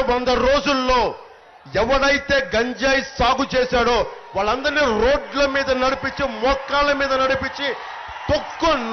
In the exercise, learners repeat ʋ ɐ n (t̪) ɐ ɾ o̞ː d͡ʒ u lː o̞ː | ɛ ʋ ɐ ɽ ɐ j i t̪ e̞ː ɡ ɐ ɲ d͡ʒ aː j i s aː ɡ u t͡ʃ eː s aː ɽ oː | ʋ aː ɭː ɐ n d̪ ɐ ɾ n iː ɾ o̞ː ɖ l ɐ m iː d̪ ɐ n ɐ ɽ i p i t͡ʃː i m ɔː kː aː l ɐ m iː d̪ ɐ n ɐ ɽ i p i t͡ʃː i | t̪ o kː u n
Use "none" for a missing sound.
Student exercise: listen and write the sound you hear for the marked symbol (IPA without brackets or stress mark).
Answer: d̪